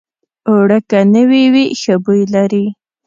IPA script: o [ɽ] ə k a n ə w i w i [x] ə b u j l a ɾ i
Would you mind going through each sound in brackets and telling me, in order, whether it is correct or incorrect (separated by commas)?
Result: correct, correct